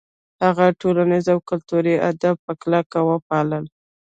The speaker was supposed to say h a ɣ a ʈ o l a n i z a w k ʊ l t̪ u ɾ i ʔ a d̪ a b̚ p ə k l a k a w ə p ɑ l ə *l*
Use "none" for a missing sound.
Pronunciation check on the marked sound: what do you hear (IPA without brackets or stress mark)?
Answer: l